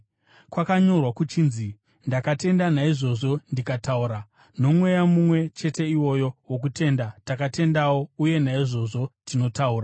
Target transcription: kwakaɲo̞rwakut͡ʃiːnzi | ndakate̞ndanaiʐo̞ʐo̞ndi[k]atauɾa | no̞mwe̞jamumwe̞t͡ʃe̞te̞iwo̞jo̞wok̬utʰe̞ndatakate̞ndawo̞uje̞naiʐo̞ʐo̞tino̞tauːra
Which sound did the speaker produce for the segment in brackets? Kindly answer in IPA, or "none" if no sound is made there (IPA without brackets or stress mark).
k